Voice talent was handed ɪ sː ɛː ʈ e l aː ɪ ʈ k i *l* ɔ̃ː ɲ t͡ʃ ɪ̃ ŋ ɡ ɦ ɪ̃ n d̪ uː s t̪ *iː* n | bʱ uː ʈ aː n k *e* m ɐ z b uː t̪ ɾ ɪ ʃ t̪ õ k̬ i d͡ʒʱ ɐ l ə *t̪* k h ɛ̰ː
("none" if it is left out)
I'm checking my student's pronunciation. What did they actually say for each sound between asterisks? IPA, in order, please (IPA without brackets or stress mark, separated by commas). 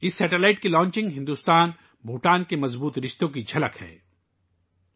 l, aː, e, none